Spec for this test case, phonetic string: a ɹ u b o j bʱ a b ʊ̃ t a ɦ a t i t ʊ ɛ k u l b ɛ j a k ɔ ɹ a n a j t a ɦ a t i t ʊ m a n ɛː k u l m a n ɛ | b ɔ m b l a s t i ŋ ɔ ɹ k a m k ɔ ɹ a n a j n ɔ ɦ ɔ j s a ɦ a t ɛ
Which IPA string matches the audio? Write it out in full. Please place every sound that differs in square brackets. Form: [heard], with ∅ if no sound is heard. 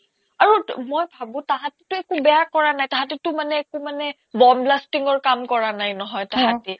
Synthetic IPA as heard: a ɹ u [m] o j bʱ a b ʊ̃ t a ɦ a t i t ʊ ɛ k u [∅] b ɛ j a k ɔ ɹ a n a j t a ɦ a t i t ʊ m a n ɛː k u [∅] m a n ɛ | b ɔ m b l a s t i ŋ ɔ ɹ k a m k ɔ ɹ a n a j n ɔ ɦ ɔ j [t] a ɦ a t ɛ